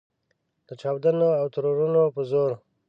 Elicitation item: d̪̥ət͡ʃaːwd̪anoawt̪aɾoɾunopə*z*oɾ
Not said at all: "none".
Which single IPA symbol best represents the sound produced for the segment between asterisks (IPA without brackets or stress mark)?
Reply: z